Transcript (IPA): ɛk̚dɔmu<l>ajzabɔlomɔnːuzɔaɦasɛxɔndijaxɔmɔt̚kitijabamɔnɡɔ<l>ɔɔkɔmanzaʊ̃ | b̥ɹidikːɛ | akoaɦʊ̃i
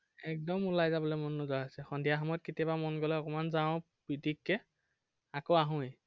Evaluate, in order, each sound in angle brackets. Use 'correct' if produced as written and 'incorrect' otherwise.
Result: correct, correct

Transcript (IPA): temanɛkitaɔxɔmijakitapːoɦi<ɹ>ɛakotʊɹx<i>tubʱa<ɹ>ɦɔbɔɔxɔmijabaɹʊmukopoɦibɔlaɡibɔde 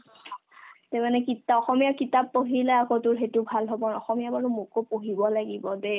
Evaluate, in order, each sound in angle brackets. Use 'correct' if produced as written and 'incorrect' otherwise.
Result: incorrect: l, incorrect: e, incorrect: l

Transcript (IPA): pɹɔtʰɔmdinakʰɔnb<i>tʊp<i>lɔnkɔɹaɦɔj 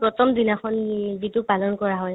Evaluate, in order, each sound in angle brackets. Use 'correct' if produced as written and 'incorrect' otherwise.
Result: correct, incorrect: a

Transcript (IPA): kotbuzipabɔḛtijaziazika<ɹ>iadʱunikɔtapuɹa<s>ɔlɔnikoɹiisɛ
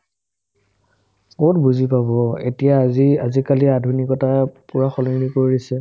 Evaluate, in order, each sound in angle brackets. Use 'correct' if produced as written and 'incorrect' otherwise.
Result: incorrect: l, incorrect: x

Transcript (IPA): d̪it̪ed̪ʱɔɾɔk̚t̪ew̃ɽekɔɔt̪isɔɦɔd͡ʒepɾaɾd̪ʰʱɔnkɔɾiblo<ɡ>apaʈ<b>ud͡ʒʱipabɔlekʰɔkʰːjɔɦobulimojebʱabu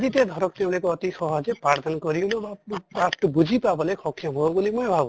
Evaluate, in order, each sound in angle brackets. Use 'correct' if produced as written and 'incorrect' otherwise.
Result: incorrect: b, correct

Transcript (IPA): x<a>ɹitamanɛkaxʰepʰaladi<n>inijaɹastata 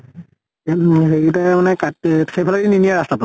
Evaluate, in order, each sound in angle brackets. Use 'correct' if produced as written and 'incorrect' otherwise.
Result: incorrect: e, correct

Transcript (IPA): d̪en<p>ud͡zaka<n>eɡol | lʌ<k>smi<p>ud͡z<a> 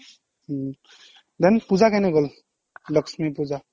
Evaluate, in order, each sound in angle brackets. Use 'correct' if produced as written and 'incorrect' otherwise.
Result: correct, correct, correct, correct, correct

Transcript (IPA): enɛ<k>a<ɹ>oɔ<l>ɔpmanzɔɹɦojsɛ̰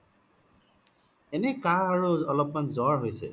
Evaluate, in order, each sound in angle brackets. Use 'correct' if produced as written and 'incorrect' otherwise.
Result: correct, correct, correct

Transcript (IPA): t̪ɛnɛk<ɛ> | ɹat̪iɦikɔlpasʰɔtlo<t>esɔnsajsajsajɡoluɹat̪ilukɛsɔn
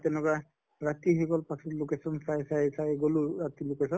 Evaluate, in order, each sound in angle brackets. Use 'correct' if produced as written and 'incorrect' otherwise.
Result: incorrect: a, incorrect: k

